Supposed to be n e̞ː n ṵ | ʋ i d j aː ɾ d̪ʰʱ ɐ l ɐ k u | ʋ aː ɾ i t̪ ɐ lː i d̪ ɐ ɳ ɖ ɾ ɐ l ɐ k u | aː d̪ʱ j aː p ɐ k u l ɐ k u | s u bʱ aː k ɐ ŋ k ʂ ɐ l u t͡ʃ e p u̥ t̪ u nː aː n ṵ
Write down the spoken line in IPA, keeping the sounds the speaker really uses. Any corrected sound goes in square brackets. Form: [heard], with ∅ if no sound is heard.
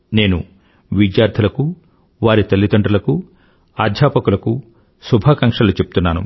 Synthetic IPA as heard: n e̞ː n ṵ | ʋ i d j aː ɾ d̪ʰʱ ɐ l ɐ k u | ʋ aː ɾ i t̪ ɐ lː i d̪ ɐ ɳ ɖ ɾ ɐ l ɐ k u | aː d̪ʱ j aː p ɐ k u l ɐ k u | s u bʱ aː k ɐ ŋ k ʂ ɐ l u t͡ʃ e p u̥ t̪ u nː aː n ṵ